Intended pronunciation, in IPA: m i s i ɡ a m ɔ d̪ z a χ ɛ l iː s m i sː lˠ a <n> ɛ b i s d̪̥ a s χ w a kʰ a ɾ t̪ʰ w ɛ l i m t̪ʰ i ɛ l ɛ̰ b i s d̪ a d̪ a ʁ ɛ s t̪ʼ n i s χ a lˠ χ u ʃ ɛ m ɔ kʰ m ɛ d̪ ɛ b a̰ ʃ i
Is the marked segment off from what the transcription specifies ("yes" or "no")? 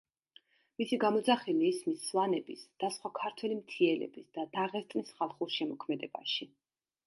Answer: no